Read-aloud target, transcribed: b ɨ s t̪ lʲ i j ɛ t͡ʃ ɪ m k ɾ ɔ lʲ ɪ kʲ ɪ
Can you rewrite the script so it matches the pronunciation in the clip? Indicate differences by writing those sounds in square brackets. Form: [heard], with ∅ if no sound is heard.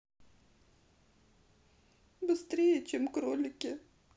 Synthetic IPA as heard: b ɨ s t̪ [ɾʲ] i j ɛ t͡ʃ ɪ m k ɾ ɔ lʲ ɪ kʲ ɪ